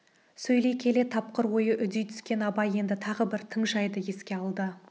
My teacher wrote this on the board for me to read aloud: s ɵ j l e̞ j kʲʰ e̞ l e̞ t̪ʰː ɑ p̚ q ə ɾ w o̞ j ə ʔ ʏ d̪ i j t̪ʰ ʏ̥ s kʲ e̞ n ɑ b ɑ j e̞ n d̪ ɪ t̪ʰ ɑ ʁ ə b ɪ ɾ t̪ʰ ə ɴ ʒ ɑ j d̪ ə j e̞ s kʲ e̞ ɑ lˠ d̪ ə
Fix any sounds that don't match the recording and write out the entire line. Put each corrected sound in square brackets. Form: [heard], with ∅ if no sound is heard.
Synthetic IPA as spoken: s ɵ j l e̞ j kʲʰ e̞ l e̞ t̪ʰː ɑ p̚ q ə ɾ w o̞ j ə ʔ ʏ d̪ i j t̪ʰ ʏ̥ s kʲ e̞ n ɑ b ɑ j e̞ n d̪ ɪ t̪ʰ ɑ ʁ ə b ɪ ɾ t̪ʰ ə ɴ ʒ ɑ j d̪ ə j e̞ s kʲ e̞ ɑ lˠ d̪ ə